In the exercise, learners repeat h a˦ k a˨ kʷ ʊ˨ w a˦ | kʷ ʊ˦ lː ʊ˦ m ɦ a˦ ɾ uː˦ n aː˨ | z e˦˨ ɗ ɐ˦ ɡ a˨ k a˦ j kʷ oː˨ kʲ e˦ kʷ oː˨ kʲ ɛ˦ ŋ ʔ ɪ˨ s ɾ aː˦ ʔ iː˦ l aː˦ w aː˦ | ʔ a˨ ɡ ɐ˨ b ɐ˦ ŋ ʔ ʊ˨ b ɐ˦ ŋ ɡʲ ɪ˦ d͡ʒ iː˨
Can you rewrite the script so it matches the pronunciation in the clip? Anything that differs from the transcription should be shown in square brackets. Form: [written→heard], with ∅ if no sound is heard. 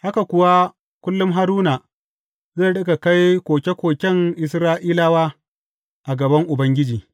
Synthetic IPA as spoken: h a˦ k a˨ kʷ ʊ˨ w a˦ | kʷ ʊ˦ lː ʊ˦ m ɦ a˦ ɾ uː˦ n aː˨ | z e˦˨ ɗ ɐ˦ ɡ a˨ k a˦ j kʷ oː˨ kʲ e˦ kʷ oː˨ kʲ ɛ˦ ŋ ʔ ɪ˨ s ɾ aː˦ ʔ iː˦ l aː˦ w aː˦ | ʔ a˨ ɡ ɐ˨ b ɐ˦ ŋ ʔ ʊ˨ b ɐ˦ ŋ ɡʲ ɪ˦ d͡ʒ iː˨